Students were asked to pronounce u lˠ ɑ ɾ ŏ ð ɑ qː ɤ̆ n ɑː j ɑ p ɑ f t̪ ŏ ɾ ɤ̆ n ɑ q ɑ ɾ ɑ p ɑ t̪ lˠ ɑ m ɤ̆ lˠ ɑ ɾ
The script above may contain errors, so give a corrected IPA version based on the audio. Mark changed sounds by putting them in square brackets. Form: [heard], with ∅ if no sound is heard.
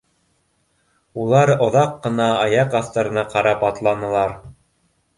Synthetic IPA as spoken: u lˠ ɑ ɾ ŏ ð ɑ qː ɤ̆ n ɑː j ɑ [q] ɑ f t̪ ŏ ɾ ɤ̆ n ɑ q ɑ ɾ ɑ p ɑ t̪ lˠ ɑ [n] ɤ̆ lˠ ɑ ɾ